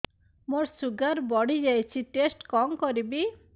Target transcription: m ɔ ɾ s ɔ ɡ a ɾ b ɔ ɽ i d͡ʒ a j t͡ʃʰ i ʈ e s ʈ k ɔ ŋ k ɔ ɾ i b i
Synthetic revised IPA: m o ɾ s u ɡ a ɾ b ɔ ɽ i d͡ʒ a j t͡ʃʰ i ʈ e s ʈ k ɔ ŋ k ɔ ɾ i b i